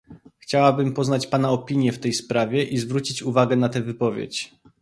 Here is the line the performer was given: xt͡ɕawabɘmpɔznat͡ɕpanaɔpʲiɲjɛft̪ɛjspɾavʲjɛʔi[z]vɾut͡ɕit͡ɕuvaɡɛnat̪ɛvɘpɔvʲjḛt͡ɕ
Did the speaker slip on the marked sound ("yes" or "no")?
no